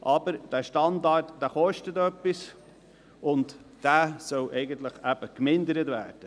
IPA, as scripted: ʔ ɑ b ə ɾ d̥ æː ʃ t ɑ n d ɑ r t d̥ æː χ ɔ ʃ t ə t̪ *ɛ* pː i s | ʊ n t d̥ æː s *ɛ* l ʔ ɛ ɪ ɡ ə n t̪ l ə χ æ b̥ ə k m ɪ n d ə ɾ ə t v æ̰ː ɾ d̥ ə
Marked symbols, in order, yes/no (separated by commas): no, no